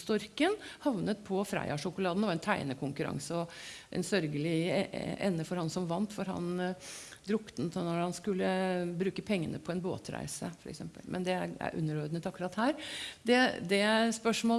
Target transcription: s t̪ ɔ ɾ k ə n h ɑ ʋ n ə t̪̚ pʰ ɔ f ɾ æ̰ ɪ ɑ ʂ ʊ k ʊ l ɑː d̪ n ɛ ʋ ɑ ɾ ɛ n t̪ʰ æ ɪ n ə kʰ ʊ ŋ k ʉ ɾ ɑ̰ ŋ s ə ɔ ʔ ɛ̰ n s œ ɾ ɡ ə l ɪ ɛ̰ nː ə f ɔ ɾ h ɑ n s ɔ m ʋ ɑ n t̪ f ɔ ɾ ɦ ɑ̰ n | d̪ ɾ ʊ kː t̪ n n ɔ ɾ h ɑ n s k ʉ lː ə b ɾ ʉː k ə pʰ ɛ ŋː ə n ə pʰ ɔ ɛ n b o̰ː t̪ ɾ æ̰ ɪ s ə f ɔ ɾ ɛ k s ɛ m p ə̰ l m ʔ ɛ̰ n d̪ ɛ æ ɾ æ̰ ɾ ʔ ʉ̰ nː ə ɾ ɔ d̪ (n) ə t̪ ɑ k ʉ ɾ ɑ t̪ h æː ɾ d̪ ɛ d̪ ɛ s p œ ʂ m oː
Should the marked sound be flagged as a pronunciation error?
no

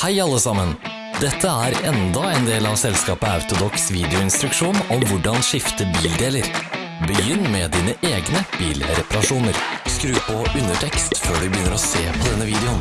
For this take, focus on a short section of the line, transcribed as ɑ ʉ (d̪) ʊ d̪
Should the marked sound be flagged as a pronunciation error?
yes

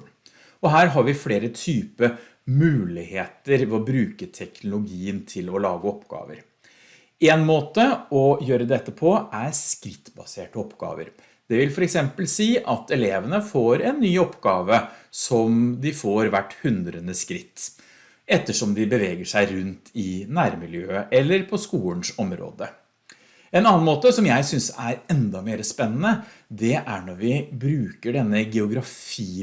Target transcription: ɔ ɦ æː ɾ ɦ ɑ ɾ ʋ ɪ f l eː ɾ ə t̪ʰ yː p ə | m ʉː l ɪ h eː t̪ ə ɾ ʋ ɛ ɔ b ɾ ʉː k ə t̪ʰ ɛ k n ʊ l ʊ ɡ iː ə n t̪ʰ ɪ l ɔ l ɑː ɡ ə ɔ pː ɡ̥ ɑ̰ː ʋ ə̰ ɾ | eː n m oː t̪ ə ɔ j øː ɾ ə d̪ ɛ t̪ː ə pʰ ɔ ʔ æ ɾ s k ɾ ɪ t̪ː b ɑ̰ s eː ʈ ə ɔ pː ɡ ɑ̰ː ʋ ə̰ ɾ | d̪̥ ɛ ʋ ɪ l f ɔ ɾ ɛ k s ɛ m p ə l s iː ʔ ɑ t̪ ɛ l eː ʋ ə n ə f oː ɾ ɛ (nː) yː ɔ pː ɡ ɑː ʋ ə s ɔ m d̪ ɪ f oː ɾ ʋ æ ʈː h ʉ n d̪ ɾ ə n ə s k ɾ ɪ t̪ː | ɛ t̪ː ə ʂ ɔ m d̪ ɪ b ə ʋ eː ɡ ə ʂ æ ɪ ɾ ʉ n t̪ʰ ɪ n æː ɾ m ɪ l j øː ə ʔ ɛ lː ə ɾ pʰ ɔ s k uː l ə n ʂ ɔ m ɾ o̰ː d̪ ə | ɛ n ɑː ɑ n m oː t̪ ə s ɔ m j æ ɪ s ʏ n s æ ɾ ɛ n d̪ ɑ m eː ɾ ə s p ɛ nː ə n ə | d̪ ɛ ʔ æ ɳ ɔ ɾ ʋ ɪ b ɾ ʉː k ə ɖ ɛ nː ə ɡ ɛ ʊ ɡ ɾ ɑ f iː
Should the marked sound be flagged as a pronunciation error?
no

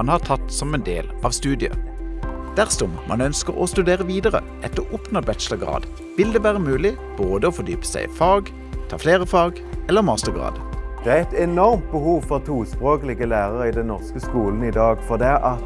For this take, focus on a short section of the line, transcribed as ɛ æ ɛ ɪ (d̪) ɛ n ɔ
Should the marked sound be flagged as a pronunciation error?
yes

